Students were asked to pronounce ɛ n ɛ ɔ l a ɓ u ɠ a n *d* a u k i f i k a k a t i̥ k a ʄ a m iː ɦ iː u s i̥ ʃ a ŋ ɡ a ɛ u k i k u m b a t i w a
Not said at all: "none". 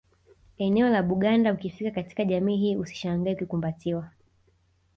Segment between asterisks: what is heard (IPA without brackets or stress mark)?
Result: d